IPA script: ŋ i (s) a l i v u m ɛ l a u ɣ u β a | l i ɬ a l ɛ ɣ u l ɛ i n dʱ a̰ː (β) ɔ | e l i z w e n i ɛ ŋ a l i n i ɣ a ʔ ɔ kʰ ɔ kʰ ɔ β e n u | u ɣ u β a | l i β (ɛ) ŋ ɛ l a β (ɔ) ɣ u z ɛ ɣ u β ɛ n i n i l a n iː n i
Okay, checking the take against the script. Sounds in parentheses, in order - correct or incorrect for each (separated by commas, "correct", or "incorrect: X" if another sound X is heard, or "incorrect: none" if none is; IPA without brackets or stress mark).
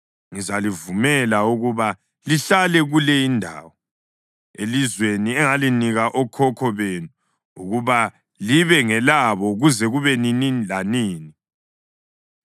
incorrect: z, incorrect: w, correct, correct